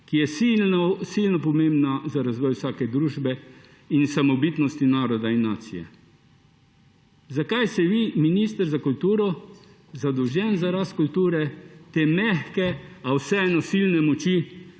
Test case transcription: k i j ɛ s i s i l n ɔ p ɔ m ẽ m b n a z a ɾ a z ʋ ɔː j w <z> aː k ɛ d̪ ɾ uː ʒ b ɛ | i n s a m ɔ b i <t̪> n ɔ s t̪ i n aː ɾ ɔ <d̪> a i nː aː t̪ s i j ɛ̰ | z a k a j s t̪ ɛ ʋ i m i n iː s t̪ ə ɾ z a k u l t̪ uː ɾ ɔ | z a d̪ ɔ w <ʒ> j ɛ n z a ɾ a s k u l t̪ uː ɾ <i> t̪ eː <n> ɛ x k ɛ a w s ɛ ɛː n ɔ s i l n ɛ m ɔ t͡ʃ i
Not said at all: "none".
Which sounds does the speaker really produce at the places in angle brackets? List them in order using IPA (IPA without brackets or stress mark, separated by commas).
s, t̪, d̪, ʒ, ɛ, m